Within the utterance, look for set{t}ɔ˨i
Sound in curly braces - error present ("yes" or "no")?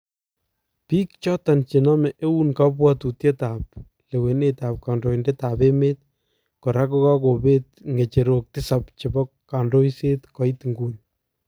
yes